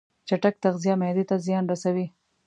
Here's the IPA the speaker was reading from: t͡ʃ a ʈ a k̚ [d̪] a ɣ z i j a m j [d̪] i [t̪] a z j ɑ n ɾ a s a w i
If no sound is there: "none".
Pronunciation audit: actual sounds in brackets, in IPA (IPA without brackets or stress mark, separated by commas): t̪, d̪, t̪